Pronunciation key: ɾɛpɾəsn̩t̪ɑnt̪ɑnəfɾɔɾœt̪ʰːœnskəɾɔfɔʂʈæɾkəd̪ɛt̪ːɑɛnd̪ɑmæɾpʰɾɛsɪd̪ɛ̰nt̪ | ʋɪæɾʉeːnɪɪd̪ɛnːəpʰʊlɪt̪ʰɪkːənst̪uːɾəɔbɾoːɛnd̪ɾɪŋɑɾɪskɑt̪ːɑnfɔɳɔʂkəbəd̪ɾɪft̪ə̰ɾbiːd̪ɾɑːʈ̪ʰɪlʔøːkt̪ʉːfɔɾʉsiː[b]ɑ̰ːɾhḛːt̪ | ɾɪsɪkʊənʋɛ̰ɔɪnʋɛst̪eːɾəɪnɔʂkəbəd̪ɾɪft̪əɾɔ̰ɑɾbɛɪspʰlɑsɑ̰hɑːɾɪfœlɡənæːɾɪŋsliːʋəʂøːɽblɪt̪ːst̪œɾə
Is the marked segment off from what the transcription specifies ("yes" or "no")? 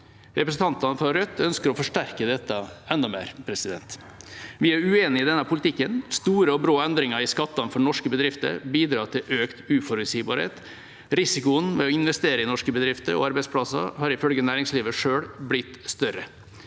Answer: no